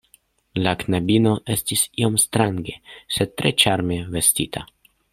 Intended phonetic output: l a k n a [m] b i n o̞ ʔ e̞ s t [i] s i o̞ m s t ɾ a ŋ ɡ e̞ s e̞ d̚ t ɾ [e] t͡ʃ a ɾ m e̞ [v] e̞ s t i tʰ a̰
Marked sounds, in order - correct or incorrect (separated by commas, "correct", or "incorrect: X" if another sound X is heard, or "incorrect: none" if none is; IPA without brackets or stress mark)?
incorrect: none, correct, correct, correct